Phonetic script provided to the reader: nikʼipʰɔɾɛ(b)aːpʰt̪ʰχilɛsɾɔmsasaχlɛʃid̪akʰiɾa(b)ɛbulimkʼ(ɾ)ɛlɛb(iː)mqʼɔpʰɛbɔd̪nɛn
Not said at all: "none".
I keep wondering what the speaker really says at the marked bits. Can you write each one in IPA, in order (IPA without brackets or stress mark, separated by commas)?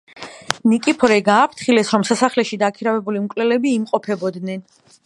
ɡ, v, l, iː